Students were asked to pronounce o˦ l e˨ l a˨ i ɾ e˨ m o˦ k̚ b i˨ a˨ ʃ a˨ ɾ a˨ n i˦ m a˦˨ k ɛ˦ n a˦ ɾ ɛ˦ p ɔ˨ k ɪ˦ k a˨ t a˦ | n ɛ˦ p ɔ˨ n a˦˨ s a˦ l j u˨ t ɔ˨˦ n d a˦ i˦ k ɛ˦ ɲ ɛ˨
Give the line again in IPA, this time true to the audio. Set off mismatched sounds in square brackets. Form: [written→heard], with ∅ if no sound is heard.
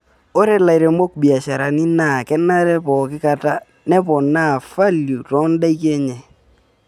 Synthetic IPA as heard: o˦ [l→ɾ] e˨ l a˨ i ɾ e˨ m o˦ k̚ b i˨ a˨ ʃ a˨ ɾ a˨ n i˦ [m→n] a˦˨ k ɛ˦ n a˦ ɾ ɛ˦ p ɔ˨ k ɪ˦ k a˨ t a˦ | n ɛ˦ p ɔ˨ n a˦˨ [s→f] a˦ l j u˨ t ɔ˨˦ n d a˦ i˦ k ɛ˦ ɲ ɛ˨

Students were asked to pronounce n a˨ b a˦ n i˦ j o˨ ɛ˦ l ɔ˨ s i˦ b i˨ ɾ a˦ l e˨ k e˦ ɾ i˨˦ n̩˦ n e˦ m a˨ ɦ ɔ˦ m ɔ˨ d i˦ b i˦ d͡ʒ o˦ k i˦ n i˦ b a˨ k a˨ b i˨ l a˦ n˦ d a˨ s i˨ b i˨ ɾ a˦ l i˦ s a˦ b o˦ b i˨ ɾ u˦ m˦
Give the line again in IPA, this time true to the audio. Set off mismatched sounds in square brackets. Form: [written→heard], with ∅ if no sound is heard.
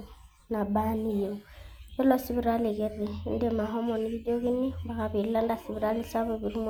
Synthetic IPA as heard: n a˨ b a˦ n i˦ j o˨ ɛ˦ l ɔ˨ s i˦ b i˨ ɾ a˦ l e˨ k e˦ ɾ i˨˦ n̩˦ [n→d] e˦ m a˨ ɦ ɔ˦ m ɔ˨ [d→n] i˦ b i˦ d͡ʒ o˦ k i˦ n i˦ b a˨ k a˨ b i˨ l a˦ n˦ d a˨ s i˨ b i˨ ɾ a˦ l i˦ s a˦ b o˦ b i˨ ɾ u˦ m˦

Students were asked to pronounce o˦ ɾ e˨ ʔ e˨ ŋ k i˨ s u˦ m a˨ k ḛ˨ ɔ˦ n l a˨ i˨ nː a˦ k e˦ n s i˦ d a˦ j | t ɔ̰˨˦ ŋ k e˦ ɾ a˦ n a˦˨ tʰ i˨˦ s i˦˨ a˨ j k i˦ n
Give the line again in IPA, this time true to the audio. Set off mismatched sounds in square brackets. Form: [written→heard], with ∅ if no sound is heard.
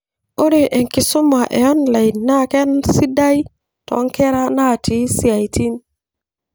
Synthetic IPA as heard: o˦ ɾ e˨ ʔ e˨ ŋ k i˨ s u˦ m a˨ [k→ʔ] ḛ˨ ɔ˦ n l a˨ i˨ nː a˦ k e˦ n s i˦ d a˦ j | t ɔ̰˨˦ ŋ k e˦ ɾ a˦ n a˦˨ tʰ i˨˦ s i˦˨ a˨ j [k→t] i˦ n

